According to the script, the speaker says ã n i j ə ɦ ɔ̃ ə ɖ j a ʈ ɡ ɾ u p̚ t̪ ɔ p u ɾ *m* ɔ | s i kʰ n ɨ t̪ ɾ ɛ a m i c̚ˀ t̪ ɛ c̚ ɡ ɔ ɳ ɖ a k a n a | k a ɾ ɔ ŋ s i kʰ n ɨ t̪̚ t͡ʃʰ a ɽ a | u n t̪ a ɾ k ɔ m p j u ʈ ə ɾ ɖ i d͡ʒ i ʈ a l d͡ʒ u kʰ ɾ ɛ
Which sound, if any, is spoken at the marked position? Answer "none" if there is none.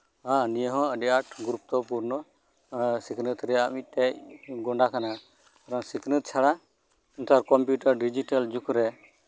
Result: n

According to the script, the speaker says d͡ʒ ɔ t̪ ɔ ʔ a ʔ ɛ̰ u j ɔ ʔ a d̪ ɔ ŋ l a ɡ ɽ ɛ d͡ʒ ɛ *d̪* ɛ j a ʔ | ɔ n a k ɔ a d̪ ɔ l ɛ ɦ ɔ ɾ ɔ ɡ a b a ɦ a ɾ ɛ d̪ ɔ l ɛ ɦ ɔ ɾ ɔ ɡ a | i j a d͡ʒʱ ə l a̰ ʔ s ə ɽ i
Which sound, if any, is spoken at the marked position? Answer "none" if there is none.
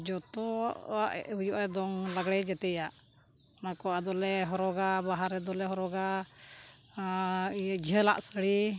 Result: t̪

